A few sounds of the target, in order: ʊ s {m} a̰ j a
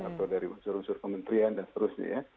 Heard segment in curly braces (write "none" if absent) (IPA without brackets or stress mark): ɲ